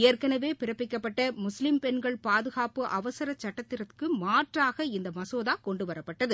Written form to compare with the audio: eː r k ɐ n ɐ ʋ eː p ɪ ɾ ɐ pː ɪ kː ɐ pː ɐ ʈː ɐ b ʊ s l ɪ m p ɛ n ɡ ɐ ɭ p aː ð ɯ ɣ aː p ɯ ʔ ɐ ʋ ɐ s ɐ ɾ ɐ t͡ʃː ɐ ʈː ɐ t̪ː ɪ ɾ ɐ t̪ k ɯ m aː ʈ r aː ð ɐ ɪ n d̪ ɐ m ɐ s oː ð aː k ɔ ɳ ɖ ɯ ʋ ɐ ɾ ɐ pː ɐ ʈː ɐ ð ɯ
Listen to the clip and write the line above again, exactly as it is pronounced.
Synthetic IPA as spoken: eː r k ɐ n ɐ ʋ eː p ɪ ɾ ɐ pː ɪ kː ɐ pː ɐ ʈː ɐ m ʊ s l ɪ m p ɛ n ɡ ɐ ɭ p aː ð ɯ ɣ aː p ɯ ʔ ɐ ʋ ɐ s ɐ ɾ ɐ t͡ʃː ɐ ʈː ɐ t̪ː ɪ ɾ ɐ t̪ k ɯ m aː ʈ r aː ɣ ɐ ɪ n d̪ ɐ m ɐ s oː ð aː k ɔ ɳ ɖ ɯ ʋ ɐ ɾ ɐ pː ɐ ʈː ɐ ð ɯ